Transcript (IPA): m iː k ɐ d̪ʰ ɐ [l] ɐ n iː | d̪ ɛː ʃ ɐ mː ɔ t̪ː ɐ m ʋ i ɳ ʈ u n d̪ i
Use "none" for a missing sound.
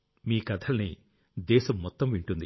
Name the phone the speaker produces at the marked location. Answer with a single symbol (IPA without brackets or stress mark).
l